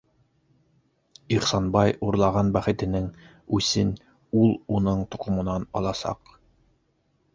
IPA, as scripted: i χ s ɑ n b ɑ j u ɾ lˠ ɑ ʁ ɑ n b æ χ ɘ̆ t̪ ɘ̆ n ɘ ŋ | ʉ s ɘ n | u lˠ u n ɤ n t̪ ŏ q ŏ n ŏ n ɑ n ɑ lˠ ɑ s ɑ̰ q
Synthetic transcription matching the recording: i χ s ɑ n b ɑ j u ɾ lˠ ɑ ʁ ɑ n b æ χ ɘ̆ t̪ ɘ̆ n ɘ ŋ | ʉ s ɘ n | u lˠ u n ɤ ɴ t̪ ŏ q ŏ m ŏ n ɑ n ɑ lˠ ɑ s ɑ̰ q